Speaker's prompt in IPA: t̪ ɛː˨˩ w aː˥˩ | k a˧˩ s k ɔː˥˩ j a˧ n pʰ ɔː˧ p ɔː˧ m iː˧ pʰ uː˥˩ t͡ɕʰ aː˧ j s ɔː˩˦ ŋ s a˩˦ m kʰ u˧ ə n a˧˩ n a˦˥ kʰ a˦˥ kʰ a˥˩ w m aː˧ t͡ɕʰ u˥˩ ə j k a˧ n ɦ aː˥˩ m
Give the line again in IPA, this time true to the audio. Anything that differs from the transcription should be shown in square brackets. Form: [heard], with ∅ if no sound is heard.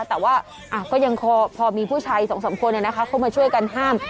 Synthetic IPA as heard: t̪ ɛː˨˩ w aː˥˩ | [ʔ] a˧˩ [∅] k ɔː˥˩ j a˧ [ŋ] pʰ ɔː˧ [pʰ] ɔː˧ m iː˧ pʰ uː˥˩ t͡ɕʰ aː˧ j s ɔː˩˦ ŋ s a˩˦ m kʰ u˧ ə n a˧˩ n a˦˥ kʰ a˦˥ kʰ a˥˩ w m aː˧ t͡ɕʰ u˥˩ ə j k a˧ n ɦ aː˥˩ m